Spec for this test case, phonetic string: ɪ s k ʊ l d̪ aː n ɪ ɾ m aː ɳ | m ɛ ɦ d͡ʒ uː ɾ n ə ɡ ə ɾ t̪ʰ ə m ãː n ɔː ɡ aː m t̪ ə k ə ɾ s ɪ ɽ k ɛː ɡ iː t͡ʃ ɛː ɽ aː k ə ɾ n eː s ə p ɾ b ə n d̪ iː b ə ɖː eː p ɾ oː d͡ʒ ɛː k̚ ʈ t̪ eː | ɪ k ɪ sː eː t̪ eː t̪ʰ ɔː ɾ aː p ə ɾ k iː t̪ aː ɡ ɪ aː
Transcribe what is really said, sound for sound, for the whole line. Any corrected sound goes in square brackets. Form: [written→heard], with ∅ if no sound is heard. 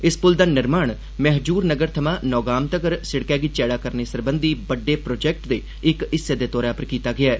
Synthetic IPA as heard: ɪ s [k→p] ʊ l d̪ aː n ɪ ɾ m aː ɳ | m ɛ ɦ d͡ʒ uː ɾ n ə ɡ ə ɾ t̪ʰ ə m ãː n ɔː ɡ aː m t̪ ə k ə ɾ s ɪ ɽ k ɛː ɡ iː t͡ʃ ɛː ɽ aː k ə ɾ n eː s ə [p→∅] ɾ b ə n d̪ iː b ə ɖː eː p ɾ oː d͡ʒ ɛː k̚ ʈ [t̪→d̪] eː | ɪ k ɪ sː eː [t̪→d̪] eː [t̪ʰ→t̪] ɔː ɾ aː p ə ɾ k iː t̪ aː ɡ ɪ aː